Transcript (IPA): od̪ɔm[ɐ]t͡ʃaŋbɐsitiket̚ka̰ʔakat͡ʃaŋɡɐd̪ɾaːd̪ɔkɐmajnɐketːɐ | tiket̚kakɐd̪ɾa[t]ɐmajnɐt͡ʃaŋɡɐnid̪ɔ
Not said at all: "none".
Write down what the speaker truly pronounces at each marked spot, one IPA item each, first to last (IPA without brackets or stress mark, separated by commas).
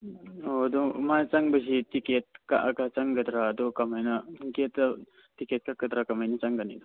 a, k